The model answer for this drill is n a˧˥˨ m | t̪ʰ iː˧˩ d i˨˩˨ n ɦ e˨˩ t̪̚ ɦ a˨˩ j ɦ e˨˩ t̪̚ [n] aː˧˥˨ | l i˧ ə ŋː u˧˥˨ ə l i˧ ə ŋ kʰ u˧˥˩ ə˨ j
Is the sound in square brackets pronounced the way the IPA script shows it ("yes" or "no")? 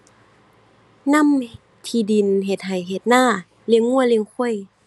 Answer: yes